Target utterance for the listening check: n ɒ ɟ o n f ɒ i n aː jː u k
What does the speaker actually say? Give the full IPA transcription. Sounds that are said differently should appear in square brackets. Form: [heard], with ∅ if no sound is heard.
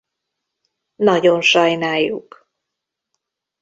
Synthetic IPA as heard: n ɒ ɟ o n [ʃ] ɒ [j] n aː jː u k